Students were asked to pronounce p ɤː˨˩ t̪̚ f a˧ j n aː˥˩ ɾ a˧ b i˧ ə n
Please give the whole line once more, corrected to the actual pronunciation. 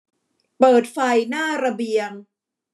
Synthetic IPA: p ɤː˨˩ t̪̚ f a˧ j n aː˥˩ ɾ a˧ b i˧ ə ŋ